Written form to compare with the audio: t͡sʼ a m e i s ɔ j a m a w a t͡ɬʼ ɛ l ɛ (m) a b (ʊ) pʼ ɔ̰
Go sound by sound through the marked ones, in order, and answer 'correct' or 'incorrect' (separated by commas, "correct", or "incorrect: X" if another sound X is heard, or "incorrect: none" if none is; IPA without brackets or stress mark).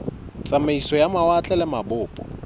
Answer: correct, incorrect: ʊː